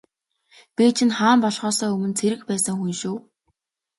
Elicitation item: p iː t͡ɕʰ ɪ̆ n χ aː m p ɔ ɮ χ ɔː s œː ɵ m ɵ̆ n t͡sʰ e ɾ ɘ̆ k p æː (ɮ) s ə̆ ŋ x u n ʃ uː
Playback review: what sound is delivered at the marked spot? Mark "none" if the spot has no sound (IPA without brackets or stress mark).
none